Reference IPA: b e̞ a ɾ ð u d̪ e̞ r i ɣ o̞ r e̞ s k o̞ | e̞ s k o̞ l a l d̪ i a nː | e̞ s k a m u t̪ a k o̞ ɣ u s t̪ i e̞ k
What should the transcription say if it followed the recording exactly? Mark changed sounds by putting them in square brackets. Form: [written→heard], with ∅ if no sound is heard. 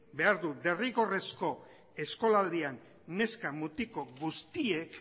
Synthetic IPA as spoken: b e̞ a ɾ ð u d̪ e̞ r i ɣ o̞ r e̞ s k o̞ | e̞ s k o̞ l a l d̪ i a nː | e̞ s k a m u t̪ [a→i] k o̞ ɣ u s t̪ i e̞ k

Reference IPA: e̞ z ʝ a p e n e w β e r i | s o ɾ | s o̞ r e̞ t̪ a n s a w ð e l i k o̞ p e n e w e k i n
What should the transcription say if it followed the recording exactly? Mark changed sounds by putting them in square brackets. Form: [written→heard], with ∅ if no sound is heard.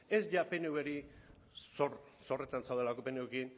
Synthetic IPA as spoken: e̞ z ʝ a p e n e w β e [r→ɾ] i | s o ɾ | s o̞ r e̞ t̪ a n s a w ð e l [i→a] k o̞ p e n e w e k i n

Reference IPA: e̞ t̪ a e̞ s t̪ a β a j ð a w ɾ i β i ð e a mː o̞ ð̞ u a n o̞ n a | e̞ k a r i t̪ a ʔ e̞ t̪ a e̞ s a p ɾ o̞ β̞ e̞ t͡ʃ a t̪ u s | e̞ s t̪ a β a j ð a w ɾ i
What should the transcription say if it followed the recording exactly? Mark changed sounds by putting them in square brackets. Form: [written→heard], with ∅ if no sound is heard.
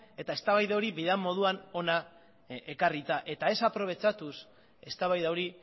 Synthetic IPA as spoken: e̞ t̪ a e̞ s t̪ a β a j ð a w ɾ i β i ð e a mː o̞ ð̞ u a n o̞ n a | e̞ k a r i t̪ a ʔ e̞ t̪ a e̞ s a p ɾ o̞ β̞ e̞ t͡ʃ a t̪ u s | e̞ s t̪ a β a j ð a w ɾ i

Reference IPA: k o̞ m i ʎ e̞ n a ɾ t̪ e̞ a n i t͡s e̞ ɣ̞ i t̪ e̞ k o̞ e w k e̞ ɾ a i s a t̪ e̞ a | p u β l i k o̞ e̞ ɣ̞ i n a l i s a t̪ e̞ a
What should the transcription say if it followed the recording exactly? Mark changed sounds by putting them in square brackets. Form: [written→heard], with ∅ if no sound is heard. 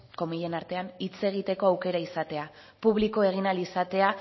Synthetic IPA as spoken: k o̞ m i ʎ e̞ n a ɾ t̪ e̞ a n i t͡s e̞ ɣ̞ i t̪ e̞ k o̞ [e→a] w k e̞ ɾ a i s a t̪ e̞ a | p u β l i k o̞ e̞ ɣ̞ i n a l i s a t̪ e̞ a

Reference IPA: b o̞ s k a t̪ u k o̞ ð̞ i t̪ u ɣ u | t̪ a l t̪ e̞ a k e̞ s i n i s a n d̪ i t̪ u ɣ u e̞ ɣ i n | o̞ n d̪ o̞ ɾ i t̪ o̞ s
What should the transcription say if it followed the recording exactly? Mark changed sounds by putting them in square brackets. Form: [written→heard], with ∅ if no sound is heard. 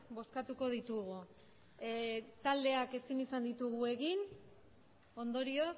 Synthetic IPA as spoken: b o̞ s k a t̪ u k o̞ ð̞ i t̪ u ɣ u | t̪ a l [t̪→d̪] e̞ a k e̞ s i n i s a n d̪ i t̪ u ɣ u e̞ ɣ i n | o̞ n d̪ o̞ ɾ i [t̪→∅] o̞ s

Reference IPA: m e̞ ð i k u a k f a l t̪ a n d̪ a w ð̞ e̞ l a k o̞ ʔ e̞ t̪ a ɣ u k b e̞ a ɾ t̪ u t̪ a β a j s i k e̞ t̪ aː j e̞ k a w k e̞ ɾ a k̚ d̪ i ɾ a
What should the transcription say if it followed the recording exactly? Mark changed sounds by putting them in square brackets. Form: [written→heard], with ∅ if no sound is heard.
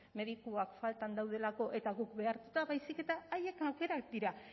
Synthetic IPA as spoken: m e̞ ð i k u a k f a l t̪ a n d̪ a w ð̞ e̞ l a k o̞ ʔ e̞ t̪ a ɣ u k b e̞ a ɾ t̪ u t̪ a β a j s i k e̞ t̪ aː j e̞ k a w k e̞ ɾ a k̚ d̪ i ɾ a

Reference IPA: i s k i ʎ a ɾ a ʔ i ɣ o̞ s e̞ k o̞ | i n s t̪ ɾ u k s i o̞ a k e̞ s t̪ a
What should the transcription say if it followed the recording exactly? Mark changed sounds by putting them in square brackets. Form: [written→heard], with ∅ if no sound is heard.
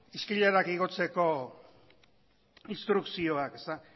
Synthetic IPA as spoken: i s k i ʎ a ɾ a [ʔ→k] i ɣ o̞ [s→t͡s] e̞ k o̞ | i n s t̪ ɾ u k s i o̞ a k e̞ s t̪ a

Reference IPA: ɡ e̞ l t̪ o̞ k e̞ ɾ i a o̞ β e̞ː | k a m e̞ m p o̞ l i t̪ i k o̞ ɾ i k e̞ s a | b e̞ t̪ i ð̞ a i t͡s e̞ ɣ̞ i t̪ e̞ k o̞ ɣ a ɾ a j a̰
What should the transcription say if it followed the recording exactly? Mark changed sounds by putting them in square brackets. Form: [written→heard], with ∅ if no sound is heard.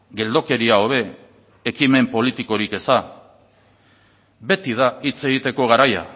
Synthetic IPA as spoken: ɡ e̞ l [t̪→d̪] o̞ k e̞ ɾ i a o̞ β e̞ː | k [a→i] m e̞ m p o̞ l i t̪ i k o̞ ɾ i k e̞ s a | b e̞ t̪ i ð̞ a i t͡s e̞ ɣ̞ i t̪ e̞ k o̞ ɣ a ɾ a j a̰

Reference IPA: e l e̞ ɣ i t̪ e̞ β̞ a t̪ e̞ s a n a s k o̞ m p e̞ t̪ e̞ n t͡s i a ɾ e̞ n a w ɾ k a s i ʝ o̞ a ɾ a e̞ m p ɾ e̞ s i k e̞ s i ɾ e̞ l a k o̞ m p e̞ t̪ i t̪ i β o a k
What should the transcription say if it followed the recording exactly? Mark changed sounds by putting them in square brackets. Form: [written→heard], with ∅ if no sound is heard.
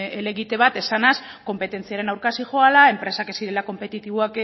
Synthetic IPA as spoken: e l e̞ ɣ i t̪ e̞ β̞ a t̪ e̞ s a n a s k o̞ m p e̞ t̪ e̞ n t͡s i a ɾ e̞ n a w ɾ k a s i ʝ o̞ a [ɾ→l] a e̞ m p ɾ e̞ s [i→a] k e̞ s i ɾ e̞ l a k o̞ m p e̞ t̪ i t̪ i β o a k

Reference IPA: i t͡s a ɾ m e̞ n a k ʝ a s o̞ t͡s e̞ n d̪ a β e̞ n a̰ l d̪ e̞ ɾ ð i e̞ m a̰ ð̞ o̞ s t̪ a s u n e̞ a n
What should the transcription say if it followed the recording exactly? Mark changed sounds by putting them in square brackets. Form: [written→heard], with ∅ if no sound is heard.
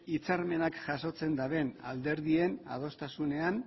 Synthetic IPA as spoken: i t͡s a ɾ m e̞ n a k ʝ a s o̞ t͡s e̞ n d̪ a β e̞ n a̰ l d̪ e̞ ɾ ð i e̞ [m→n] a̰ ð̞ o̞ s t̪ a s u n e̞ a n

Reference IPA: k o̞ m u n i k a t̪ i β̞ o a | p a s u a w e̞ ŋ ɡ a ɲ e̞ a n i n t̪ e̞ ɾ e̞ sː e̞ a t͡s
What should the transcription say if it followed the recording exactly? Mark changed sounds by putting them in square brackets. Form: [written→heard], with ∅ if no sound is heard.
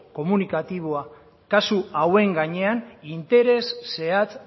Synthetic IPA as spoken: k o̞ m u n i k a t̪ i β̞ o a | [p→k] a s u a w e̞ ŋ ɡ a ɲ e̞ a n i n t̪ e̞ ɾ e̞ sː e̞ a t͡s

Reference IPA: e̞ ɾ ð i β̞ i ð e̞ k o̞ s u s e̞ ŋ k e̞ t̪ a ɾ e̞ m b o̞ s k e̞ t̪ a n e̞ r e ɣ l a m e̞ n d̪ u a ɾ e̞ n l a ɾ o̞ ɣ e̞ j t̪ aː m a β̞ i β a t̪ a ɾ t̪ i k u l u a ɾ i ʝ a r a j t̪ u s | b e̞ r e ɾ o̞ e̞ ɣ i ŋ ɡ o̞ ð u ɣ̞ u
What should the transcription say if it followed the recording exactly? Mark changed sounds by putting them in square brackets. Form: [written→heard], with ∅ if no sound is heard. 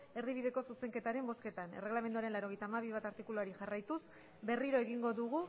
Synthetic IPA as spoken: e̞ ɾ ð i β̞ i ð e̞ k o̞ s u s e̞ ŋ k e̞ t̪ a ɾ e̞ m b o̞ s k e̞ t̪ a n e̞ r e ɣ l a m e̞ n d̪ u a ɾ e̞ n l a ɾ o̞ ɣ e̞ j t̪ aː m a β̞ i β a t̪ a ɾ t̪ i k u l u a ɾ i ʝ a r a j t̪ u s | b e̞ r [e→i] ɾ o̞ e̞ ɣ i ŋ ɡ o̞ ð u ɣ̞ u

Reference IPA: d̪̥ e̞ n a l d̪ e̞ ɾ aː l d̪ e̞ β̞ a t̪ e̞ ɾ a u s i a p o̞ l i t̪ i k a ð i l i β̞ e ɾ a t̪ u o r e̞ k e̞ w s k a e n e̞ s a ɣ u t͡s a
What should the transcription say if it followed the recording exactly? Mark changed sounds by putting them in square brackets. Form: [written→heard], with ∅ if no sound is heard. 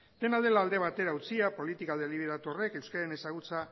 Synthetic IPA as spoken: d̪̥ e̞ n a l d̪ e̞ [ɾ→l] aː l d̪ e̞ β̞ a t̪ e̞ ɾ a u [s→t͡s] i a p o̞ l i t̪ i k a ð [i→e] l i β̞ e ɾ a t̪ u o r e̞ k e̞ w s k a e n e̞ s a ɣ u t͡s a

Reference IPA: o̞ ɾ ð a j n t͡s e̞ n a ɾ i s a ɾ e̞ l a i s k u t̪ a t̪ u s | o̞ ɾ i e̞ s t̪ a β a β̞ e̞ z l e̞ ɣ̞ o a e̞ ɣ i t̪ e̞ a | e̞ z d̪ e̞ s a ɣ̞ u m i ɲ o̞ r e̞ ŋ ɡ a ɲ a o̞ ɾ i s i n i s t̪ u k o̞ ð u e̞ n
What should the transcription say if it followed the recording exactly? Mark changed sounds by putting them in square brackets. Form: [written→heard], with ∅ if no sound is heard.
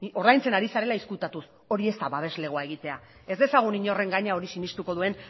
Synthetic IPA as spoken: o̞ ɾ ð a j n t͡s e̞ n a ɾ i s a ɾ e̞ l a i s k u t̪ a t̪ u s | o̞ ɾ i e̞ s t̪ a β a β̞ e̞ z l e̞ ɣ̞ o a e̞ ɣ i t̪ e̞ a | e̞ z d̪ e̞ s a ɣ̞ u [m→n] i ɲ o̞ r e̞ ŋ ɡ a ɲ a o̞ ɾ i s i n i s t̪ u k o̞ ð u e̞ n

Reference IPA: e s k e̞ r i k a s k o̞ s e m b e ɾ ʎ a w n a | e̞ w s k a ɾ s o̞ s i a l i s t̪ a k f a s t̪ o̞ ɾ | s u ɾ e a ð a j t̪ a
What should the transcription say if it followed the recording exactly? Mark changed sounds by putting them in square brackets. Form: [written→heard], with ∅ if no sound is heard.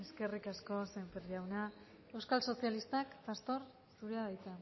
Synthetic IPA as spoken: e s k e̞ r i k a s k o̞ s e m [b→p] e ɾ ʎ a w n a | e̞ w s k a [ɾ→l] s o̞ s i a l i s t̪ a k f a s t̪ o̞ ɾ | s u ɾ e a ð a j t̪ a

